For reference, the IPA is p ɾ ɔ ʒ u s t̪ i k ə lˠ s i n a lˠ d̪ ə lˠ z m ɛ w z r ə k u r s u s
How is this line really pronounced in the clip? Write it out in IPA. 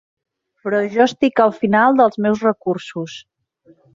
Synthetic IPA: p ɾ ɔ ʒ ɔ s t̪ i k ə lˠ f i n a lˠ d̪ ə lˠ z m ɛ w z r ə k u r s u s